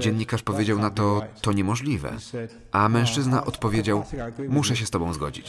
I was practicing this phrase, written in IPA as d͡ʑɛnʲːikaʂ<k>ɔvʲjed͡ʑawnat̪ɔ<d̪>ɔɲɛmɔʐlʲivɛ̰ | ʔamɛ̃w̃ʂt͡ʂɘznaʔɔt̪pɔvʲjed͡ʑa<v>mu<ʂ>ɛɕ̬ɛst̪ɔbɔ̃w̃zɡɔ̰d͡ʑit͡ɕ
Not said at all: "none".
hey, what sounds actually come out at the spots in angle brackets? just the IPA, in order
p, t̪, w, ʂ

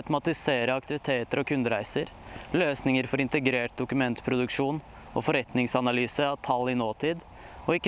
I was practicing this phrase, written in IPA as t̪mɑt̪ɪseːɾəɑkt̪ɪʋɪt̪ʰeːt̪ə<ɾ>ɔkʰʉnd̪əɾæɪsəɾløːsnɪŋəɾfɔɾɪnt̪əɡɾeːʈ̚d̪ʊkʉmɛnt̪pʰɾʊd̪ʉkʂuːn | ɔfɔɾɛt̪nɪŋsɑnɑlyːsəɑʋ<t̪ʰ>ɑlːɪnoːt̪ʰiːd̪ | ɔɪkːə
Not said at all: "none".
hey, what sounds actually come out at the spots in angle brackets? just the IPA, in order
ɾ, t̪ʰ

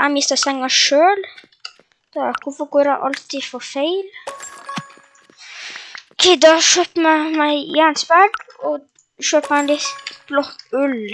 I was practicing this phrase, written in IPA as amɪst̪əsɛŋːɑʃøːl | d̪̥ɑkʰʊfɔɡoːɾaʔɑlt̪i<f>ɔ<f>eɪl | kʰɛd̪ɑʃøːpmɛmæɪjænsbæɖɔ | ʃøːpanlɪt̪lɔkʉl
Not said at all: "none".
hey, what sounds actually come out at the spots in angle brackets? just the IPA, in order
f, f

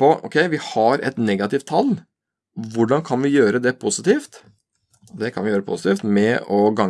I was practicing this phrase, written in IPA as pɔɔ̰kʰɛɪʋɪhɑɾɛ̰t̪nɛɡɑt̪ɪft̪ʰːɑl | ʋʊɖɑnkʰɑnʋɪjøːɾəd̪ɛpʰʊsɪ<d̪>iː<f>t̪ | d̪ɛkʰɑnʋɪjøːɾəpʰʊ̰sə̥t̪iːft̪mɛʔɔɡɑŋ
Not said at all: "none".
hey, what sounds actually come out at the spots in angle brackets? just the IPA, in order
t̪, f

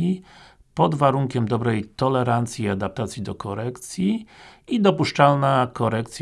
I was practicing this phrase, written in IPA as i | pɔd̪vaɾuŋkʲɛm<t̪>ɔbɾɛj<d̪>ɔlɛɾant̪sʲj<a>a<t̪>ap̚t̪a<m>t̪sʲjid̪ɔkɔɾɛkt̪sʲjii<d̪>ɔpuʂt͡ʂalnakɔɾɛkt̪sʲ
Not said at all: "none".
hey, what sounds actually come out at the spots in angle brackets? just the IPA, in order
d̪, t̪, i, d̪, none, d̪

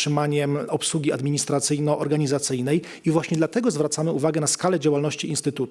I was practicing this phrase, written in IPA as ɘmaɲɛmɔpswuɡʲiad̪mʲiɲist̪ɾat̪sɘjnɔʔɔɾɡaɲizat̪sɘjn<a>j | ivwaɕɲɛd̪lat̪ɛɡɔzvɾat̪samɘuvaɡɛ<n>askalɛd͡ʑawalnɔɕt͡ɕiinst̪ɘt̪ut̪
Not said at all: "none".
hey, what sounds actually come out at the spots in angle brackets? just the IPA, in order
ɛ, n

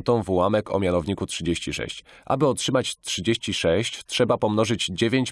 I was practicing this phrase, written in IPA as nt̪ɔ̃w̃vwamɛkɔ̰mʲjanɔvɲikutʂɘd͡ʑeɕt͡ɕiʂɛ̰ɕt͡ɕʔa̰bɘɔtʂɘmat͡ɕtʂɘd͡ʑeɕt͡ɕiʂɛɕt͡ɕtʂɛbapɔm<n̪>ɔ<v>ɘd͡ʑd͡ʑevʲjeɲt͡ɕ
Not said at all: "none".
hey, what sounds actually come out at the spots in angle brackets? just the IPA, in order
n̪, ʐ

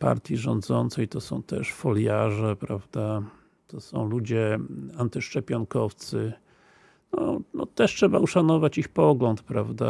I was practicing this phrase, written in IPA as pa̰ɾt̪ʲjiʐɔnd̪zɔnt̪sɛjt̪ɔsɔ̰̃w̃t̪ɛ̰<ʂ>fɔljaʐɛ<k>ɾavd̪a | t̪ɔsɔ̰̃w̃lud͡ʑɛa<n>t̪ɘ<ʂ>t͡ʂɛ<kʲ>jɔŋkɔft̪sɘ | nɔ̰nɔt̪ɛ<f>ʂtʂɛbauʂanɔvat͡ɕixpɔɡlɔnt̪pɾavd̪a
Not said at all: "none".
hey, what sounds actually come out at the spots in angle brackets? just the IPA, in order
ʂ, p, n, ʂ, pʲ, none

